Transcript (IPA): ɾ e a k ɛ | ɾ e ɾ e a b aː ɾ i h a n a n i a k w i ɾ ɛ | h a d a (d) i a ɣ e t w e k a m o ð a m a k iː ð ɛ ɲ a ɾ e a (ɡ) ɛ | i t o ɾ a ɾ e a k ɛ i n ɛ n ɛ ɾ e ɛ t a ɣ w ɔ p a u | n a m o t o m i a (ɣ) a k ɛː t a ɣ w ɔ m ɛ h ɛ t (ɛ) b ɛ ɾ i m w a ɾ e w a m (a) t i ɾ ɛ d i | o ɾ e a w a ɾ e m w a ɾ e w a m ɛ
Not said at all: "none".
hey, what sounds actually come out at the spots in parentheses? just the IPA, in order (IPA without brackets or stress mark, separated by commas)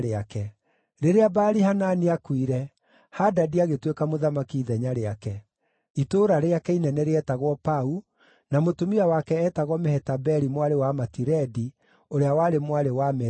d, k, w, a, a